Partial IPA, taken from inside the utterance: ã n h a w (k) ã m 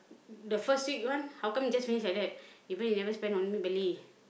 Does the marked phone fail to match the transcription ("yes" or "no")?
no